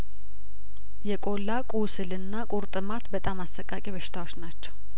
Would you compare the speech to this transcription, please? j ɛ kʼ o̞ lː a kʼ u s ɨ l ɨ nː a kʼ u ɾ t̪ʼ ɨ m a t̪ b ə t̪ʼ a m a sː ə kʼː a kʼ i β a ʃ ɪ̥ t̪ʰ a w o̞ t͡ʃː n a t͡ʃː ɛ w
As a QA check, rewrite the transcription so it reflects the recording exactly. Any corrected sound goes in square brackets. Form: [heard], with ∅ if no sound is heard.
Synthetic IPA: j ɛ kʼ o̞ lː a kʼ u s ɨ l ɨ nː a kʼ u ɾ t̪ʼ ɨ m a t̪ b ə t̪ʼ a m a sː ə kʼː a kʼ i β [ə] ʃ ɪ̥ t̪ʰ a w o̞ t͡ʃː n a t͡ʃː ɛ w